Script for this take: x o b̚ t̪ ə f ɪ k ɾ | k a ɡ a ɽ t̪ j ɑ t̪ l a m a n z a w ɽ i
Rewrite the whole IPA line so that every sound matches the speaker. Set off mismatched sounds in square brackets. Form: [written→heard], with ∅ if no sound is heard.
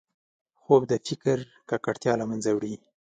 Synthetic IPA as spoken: x o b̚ [t̪→d̪] ə f ɪ k ɾ | k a [ɡ→k] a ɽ t̪ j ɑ [t̪→∅] l a m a n z a w ɽ i